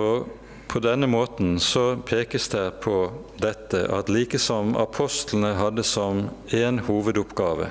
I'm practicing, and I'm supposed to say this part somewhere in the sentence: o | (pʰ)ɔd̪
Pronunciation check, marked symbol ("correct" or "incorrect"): correct